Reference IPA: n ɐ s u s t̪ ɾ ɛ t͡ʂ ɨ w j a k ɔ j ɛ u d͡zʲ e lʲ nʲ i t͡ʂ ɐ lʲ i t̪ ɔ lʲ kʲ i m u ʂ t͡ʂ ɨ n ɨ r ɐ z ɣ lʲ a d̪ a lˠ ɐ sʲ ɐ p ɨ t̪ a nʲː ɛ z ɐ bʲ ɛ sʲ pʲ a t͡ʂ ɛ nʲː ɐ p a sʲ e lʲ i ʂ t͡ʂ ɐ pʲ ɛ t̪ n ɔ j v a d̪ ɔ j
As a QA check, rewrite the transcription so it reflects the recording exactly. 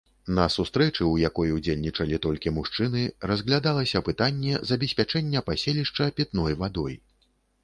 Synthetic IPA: n ɐ s u s t̪ ɾ ɛ t͡ʂ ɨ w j a k ɔ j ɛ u d͡zʲ e lʲ nʲ i t͡ʂ ɐ lʲ i t̪ ɔ lʲ kʲ i m u ʂ t͡ʂ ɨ n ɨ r ɐ z ɣ lʲ a d̪ a lˠ ɐ sʲ ɐ p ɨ t̪ a nʲː ɛ z ɐ bʲ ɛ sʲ pʲ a t͡ʂ ɛ nʲː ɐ p a sʲ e lʲ i ʂ t͡ʂ ɐ pʲ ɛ t̪ n ɔ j v a d̪ ɔ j